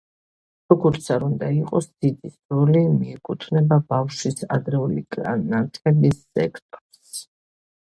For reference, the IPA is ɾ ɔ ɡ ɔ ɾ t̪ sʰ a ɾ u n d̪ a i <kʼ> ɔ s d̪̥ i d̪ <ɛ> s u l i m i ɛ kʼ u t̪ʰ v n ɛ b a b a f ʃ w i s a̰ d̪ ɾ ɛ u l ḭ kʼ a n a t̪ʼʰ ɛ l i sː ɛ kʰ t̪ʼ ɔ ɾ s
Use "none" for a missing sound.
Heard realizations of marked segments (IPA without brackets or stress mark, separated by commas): qʼ, i